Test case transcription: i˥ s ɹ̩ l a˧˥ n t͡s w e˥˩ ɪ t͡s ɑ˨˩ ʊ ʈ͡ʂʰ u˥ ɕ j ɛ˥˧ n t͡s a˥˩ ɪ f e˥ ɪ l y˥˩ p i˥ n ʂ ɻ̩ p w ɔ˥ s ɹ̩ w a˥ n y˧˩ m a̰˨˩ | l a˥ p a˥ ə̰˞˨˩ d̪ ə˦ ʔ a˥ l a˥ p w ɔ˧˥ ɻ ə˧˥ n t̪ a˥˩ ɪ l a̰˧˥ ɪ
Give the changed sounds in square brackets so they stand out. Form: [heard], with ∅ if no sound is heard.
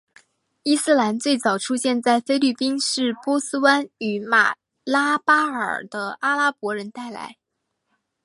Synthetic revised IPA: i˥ s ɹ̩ l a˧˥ n t͡s w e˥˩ ɪ t͡s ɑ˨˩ ʊ ʈ͡ʂʰ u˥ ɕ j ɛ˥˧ n t͡s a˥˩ ɪ f e˥ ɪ l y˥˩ p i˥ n ʂ ɻ̩ p w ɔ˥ s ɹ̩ w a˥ n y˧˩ m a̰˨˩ | l a˥ p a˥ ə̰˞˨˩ d̪ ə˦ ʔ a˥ l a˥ p w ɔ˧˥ ɻ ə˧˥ n t̪ a˥˩ ɪ l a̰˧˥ ɪ